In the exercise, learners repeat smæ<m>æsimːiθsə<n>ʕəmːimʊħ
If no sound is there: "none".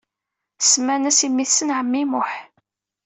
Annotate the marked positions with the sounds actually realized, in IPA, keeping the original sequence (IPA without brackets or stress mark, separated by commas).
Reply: n, n